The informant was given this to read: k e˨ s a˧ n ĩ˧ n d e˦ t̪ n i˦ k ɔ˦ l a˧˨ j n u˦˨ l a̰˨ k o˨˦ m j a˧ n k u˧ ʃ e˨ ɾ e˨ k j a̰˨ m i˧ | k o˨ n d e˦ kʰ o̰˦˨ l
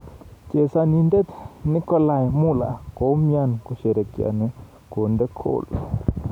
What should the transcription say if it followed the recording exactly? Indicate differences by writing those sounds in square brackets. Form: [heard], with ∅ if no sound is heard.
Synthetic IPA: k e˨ s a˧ n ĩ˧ n d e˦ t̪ n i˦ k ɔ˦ l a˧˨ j [m] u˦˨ l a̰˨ k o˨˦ m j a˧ n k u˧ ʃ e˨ ɾ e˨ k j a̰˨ [n] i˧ | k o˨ n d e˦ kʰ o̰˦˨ l